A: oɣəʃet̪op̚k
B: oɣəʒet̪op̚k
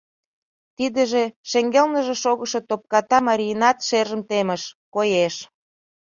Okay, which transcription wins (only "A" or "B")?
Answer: A